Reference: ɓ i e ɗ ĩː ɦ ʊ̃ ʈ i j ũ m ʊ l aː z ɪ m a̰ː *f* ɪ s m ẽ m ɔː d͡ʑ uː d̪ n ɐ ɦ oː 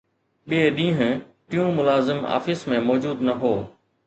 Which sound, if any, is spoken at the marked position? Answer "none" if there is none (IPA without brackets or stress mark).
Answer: f